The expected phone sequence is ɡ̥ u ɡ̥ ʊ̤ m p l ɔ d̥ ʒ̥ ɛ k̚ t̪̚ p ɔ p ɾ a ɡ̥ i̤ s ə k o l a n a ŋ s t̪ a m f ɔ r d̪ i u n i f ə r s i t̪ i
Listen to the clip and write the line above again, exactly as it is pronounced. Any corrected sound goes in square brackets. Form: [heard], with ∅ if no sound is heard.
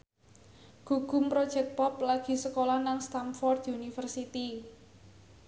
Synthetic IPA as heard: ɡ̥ u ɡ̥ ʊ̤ m p [ɾ] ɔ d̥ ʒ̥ ɛ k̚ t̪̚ p ɔ p [l] a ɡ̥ i̤ s ə k o l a n a ŋ s t̪ a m f ɔ r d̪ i u n i f ə r s i t̪ i

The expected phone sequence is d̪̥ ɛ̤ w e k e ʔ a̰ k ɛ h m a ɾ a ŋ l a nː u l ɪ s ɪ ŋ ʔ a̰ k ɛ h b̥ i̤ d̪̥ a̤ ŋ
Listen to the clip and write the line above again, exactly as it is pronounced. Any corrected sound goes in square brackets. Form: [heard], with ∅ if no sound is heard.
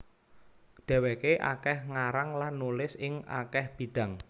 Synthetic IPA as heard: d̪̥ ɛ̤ w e k e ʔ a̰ k ɛ h [ŋ] a ɾ a ŋ l a nː u l ɪ s ɪ ŋ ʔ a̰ k ɛ h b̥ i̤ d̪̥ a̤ ŋ

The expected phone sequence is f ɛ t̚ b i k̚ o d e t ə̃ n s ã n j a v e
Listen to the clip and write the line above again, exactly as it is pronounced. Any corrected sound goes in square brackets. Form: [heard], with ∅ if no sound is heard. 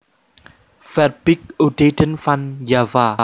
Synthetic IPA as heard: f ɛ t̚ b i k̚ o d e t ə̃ n [f] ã n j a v [a]

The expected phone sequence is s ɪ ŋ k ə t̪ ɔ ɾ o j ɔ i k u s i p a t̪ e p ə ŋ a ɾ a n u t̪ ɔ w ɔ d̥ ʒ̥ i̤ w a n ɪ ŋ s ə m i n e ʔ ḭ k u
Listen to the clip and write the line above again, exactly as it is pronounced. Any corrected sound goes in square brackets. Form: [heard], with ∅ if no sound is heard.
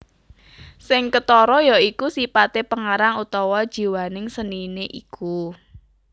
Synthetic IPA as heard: s ɪ ŋ k ə t̪ ɔ ɾ [ɔ] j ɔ i k u s i p a t̪ e p ə ŋ a ɾ a [ŋ] u t̪ ɔ w ɔ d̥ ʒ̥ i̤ w a n ɪ ŋ s ə [n] i n e ʔ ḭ k u

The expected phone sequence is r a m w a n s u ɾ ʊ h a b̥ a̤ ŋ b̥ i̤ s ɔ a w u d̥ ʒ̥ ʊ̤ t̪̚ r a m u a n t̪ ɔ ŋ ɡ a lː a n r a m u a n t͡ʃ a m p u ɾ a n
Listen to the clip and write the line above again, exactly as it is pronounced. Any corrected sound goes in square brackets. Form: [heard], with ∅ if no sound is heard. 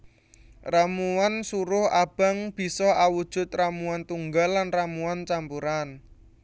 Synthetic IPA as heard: r a m [u] a n s u ɾ ʊ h a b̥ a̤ ŋ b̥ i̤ s ɔ a w u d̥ ʒ̥ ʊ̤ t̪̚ r a m u a n t̪ [u] ŋ ɡ a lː a n r a m u a n t͡ʃ a m p u ɾ a n

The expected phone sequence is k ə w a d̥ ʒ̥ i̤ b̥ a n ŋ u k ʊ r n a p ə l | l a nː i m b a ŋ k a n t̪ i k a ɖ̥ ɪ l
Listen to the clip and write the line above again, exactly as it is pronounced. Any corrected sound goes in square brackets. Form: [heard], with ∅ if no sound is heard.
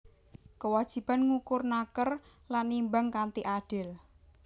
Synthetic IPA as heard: k ə w a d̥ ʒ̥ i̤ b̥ a n ŋ u k ʊ r n a [k] ə [r] | l a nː i m b a ŋ k a n t̪ i [ʔ] a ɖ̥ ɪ l

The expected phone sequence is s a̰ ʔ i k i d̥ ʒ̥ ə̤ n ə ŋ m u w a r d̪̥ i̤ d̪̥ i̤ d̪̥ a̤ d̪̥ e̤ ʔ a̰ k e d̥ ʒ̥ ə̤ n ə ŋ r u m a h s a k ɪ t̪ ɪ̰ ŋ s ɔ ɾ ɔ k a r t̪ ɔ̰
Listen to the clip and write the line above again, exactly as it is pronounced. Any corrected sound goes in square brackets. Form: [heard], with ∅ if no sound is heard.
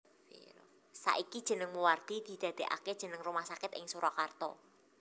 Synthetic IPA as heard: s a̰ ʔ i k i d̥ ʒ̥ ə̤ n ə ŋ m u w a r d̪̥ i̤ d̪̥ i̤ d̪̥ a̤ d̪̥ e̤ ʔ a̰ k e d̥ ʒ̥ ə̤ n ə ŋ r u m a h s a k ɪ t̪ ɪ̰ ŋ s [u] ɾ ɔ k a r t̪ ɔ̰

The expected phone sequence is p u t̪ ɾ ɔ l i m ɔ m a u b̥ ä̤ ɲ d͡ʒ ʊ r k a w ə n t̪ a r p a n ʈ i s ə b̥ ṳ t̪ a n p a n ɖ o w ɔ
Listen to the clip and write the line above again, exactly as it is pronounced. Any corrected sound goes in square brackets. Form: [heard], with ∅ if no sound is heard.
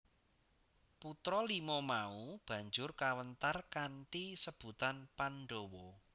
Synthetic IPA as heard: p u t̪ ɾ ɔ l i m ɔ m a u b̥ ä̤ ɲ d͡ʒ ʊ r k a w ə n t̪ a r [k] a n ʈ i s ə b̥ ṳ t̪ a n p a n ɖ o w ɔ

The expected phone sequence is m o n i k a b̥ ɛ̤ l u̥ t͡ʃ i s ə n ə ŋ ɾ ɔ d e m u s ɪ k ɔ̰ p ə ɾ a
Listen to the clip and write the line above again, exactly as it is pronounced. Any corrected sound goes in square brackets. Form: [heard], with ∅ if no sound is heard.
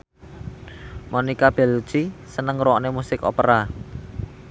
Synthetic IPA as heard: m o n i k a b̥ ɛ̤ l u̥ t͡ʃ i s ə n ə ŋ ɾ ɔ [n] e m u s ɪ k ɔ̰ p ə ɾ a

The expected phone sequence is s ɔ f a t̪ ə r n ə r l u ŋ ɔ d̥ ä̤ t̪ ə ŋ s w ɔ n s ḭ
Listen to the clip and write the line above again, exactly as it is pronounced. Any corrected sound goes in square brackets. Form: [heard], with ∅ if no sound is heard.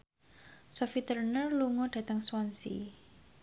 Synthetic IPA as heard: s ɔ f [i] t̪ ə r n ə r l u ŋ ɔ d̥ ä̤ t̪ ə ŋ s w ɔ n s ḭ

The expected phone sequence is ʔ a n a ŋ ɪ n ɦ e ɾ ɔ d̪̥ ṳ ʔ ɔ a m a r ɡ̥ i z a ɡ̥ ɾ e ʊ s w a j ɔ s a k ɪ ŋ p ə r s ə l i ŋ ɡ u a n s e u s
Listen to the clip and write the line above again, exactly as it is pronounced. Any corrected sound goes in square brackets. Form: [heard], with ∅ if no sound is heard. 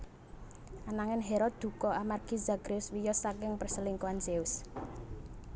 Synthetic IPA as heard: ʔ a n a ŋ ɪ n ɦ e ɾ ɔ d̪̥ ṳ [k] ɔ a m a r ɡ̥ i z a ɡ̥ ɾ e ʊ s w [i] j ɔ s a k ɪ ŋ p ə r s ə l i ŋ [k] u a n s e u s

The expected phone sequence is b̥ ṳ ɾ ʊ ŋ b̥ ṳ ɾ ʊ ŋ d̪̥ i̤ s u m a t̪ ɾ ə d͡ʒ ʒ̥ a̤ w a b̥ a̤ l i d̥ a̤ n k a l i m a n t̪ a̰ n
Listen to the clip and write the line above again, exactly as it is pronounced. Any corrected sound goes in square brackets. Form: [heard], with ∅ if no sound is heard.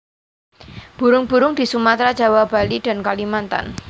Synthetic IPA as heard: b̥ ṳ ɾ ʊ ŋ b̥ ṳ ɾ ʊ ŋ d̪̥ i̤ s u m a t̪ ɾ [a] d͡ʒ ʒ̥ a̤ w a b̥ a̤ l i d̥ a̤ n k a l i m a n t̪ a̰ n

